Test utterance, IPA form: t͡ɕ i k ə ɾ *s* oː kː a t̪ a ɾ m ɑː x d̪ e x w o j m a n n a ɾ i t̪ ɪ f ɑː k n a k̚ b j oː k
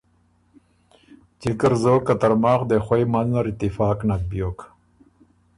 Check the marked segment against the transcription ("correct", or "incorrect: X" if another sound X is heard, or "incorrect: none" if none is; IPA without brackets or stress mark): incorrect: z